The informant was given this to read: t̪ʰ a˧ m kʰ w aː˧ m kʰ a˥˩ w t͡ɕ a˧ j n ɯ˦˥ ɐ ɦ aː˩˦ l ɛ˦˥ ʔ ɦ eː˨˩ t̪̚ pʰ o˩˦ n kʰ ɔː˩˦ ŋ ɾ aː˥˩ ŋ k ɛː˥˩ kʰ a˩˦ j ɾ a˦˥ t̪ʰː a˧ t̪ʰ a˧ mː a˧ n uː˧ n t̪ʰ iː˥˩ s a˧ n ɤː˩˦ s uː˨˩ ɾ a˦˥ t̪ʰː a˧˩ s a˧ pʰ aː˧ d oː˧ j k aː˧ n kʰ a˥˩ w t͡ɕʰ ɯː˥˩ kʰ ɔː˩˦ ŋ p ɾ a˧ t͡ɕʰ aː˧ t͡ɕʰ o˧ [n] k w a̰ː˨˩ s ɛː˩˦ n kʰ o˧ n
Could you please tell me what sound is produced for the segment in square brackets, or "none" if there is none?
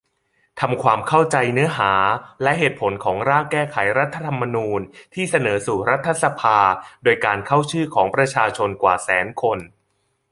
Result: n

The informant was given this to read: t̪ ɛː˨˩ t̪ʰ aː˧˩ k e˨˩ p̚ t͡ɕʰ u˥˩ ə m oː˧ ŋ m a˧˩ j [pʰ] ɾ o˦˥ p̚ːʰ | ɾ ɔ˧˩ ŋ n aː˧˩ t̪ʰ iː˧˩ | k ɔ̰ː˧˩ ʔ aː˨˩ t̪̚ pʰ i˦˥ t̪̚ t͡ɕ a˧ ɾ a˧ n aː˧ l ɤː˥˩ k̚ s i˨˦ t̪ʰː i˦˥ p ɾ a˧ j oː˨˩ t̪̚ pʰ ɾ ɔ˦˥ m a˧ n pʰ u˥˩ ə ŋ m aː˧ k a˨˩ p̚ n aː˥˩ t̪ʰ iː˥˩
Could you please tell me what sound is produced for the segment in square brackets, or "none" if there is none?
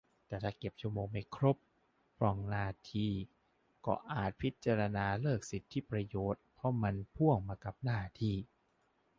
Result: kʰ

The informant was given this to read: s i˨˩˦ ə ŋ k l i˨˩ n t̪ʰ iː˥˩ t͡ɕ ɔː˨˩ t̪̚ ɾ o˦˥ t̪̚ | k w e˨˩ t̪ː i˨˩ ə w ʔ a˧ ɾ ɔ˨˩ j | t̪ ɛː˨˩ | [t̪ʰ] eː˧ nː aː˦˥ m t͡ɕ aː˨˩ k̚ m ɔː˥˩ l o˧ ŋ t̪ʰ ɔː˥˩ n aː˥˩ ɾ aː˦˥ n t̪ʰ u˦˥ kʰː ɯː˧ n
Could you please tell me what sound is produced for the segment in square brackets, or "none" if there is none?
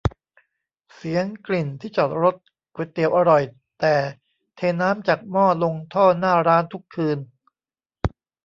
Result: t̪ʰ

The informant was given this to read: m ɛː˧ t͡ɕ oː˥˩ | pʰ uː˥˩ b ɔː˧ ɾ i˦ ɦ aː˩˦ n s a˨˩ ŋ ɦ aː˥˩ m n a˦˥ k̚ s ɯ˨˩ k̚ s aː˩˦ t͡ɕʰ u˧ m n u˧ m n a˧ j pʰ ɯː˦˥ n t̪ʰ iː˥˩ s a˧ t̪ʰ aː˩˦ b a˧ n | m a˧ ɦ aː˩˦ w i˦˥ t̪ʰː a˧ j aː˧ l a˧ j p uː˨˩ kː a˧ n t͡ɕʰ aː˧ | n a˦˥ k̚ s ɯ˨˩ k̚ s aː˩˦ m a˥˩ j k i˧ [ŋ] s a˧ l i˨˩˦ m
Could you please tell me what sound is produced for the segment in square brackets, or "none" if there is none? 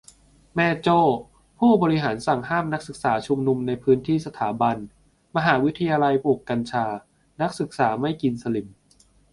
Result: n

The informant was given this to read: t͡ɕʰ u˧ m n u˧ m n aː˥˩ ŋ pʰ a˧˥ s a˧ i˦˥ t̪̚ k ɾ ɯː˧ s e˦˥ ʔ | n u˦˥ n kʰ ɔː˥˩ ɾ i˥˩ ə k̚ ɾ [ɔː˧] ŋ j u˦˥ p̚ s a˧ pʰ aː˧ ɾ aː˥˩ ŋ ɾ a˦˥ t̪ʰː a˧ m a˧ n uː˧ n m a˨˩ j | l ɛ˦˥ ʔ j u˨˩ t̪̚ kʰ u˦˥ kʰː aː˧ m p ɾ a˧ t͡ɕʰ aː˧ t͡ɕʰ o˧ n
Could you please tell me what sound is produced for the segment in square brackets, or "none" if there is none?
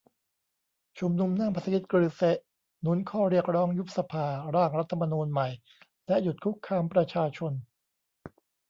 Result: ɔː˦˥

